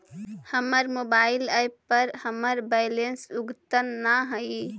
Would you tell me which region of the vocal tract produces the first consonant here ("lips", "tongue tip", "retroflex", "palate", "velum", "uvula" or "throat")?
throat